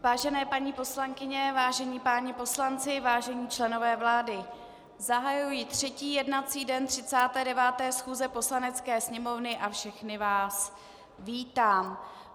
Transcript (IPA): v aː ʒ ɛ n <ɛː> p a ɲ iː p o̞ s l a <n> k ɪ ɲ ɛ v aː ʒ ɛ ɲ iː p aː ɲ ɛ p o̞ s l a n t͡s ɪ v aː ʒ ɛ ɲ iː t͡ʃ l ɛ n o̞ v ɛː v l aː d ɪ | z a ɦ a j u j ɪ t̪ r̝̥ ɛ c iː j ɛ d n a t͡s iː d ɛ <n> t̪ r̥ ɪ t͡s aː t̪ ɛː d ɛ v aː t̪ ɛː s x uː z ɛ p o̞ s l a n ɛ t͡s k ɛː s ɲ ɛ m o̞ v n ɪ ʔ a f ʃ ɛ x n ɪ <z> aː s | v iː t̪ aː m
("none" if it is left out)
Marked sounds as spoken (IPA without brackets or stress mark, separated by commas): ɛː, ŋ, n, v